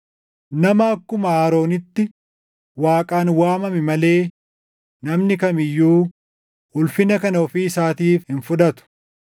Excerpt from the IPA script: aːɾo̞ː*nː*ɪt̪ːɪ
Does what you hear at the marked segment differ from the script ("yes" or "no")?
yes